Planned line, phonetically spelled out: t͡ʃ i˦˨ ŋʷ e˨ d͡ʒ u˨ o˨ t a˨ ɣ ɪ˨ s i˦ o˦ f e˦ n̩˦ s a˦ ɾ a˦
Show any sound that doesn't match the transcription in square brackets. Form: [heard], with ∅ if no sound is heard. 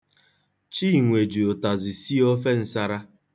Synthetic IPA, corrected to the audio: t͡ʃ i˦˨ ŋʷ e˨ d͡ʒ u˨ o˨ t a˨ [z] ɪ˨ s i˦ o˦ f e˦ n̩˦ s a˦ ɾ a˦